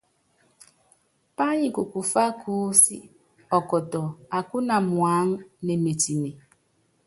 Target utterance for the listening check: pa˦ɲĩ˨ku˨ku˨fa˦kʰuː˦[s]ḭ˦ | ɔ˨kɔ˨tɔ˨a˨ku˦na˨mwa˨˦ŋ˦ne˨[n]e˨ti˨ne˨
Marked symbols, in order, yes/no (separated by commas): yes, no